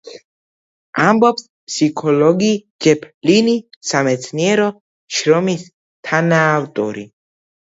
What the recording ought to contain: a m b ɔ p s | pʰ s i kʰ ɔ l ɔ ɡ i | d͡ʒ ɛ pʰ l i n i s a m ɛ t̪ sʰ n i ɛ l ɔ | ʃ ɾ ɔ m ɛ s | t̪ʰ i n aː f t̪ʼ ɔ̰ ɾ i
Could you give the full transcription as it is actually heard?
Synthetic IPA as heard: a m b ɔ p s | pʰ s i kʰ ɔ l ɔ ɡ i | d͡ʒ ɛ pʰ l i n i s a m ɛ t̪ sʰ n i ɛ ɾ ɔ | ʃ ɾ ɔ m i s | t̪ʰ a n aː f t̪ʼ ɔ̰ ɾ i